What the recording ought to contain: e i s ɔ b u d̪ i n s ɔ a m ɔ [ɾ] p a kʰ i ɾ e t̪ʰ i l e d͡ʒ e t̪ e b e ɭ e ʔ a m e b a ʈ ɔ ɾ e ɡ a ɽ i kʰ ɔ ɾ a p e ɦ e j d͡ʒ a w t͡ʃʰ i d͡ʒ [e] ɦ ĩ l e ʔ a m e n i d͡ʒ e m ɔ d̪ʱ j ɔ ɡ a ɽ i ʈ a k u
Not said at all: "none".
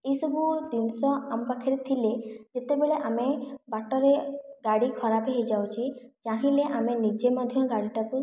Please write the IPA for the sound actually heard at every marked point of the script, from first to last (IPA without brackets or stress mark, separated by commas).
none, a